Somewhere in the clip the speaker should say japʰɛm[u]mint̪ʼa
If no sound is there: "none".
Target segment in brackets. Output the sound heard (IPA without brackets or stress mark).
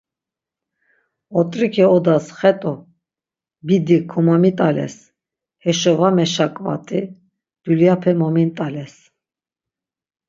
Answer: ɔ